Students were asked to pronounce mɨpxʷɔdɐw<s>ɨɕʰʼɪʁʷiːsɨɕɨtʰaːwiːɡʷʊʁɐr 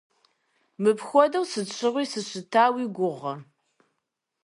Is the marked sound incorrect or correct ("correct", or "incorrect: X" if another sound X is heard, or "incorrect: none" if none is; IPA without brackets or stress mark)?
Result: correct